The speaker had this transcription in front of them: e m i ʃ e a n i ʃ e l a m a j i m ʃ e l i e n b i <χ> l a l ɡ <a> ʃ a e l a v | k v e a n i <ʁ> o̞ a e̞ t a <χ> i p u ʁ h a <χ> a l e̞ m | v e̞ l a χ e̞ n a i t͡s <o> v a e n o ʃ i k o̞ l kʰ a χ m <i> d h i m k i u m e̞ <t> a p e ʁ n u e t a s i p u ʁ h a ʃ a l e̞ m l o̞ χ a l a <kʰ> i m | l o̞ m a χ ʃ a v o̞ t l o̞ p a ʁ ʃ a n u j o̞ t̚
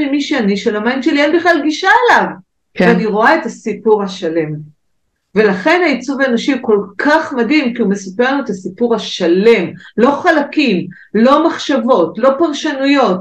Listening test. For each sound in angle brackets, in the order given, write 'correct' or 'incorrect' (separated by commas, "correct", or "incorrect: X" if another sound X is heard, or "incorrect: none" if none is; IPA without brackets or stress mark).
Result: correct, incorrect: i, correct, incorrect: s, incorrect: ʃ, incorrect: u, incorrect: a, incorrect: s, incorrect: k